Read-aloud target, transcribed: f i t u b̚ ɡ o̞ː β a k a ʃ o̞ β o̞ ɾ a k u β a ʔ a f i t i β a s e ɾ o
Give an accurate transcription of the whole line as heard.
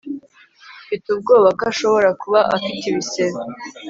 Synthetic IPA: f i t u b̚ ɡ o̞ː β a k a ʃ o̞ β o̞ ɾ a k u β a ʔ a f i t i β i s e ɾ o

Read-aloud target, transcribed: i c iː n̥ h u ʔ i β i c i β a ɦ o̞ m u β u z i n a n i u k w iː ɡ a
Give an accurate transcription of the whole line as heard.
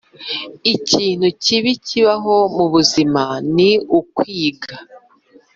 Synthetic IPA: i c iː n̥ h u c i β i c i β a ɦ o̞ m u β u z i m a n i u k w iː ɡ a

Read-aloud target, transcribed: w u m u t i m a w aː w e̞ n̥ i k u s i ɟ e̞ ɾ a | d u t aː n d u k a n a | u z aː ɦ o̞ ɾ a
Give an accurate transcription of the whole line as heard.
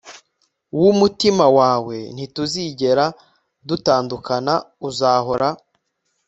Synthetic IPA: w u m u t i m a w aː w e̞ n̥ i t u z i ɟ e̞ ɾ a | d u t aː n d u k a n a | u z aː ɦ o̞ ɾ a

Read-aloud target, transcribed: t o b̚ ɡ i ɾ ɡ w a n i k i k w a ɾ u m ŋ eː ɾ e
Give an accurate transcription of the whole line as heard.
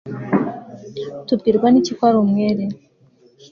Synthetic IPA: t u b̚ ɡ i ɾ ɡ w a n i c i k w a ɾ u m ŋ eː ɾ e

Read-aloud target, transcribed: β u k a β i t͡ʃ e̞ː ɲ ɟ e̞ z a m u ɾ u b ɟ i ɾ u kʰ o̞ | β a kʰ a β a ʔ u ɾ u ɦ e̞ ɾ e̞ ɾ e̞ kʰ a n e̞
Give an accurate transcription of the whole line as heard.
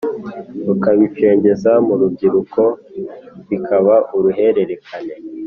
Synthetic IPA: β u k a β i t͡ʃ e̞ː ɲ ɟ e̞ z a m u ɾ u b ɟ i ɾ u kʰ o̞ | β i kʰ a β a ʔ u ɾ u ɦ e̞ ɾ e̞ ɾ e̞ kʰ a n e̞

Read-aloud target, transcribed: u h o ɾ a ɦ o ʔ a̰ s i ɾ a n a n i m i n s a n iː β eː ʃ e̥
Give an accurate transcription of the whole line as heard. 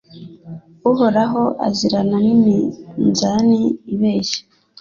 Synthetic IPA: u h o ɾ a ɦ o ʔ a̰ z i ɾ a n a n i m i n z a n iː β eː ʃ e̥

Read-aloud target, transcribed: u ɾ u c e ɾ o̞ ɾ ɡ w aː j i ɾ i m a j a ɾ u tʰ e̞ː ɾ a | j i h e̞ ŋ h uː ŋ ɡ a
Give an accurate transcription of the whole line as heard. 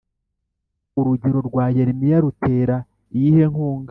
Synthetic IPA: u ɾ u ɟ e ɾ o̞ ɾ ɡ w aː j e ɾ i m i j a ɾ u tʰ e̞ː ɾ a | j i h e̞ ŋ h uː ŋ ɡ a

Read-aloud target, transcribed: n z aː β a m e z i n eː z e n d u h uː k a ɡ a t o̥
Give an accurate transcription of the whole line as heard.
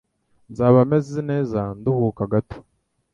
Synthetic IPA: n z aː β a m e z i n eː z a n d u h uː k a ɡ a t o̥

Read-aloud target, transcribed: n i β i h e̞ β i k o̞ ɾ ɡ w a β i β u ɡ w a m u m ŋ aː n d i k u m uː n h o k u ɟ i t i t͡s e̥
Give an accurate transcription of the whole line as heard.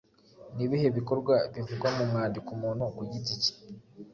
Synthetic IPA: n i β i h e̞ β i k o̞ ɾ ɡ w a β i v u ɡ w a m u m ŋ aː n d i k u m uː n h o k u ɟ i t i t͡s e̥

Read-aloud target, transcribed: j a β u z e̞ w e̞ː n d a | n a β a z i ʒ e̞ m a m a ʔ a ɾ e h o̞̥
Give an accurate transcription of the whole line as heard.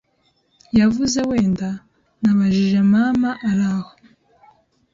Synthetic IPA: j a v u z e̞ w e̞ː n d a | n a β a ʒ i ʒ e̞ m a m a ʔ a ɾ a h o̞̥

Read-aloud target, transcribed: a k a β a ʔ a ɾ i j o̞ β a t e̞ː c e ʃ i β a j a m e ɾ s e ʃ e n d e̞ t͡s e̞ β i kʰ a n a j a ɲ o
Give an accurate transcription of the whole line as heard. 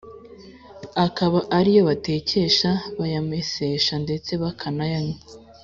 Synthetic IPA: a k a β a ʔ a ɾ i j o̞ β a t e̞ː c e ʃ a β a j a m e s e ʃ a n d e̞ t͡s e̞ β a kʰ a n a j a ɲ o

